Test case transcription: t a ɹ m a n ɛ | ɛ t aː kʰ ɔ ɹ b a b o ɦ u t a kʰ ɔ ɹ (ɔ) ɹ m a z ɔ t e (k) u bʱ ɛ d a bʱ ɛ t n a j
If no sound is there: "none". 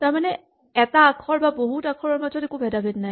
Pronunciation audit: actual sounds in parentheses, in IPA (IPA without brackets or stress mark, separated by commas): ɔ, k